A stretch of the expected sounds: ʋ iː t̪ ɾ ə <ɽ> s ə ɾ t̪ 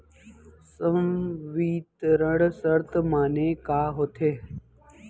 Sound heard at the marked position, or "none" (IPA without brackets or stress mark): ɽ